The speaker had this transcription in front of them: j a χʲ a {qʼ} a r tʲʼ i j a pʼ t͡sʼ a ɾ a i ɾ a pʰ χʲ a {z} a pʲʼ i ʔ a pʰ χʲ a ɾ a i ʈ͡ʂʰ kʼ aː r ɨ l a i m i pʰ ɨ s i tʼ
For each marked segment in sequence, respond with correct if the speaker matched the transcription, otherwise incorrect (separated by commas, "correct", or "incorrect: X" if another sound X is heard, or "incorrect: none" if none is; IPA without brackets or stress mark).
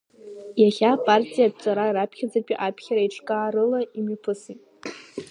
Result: incorrect: pʼ, incorrect: d͡z